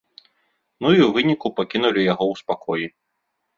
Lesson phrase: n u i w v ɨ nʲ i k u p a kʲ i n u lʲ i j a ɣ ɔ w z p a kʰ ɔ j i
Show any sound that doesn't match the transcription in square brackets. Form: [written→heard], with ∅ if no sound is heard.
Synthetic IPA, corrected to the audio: n u i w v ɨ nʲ i k u p a kʲ i n u lʲ i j a ɣ ɔ w [z→s] p a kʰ ɔ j i